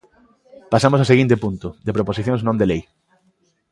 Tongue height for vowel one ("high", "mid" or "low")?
low